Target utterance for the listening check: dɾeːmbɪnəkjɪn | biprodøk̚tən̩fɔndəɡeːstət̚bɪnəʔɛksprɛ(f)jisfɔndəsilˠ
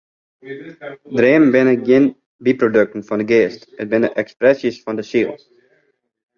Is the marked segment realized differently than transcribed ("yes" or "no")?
yes